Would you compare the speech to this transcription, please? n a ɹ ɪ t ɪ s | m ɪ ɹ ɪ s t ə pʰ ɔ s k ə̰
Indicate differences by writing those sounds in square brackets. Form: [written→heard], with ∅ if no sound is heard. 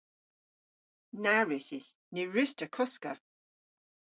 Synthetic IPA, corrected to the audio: n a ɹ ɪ [t→s] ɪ s | [m→n] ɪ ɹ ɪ s t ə [pʰ→kʰ] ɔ s k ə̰